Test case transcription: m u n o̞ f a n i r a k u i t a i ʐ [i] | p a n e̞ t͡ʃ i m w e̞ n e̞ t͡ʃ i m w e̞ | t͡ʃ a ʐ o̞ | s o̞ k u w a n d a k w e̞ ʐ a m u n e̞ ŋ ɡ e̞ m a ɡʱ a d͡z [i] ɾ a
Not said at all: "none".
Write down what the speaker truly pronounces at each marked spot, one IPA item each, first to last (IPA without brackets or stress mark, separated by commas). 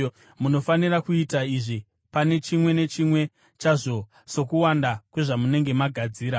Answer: i, iː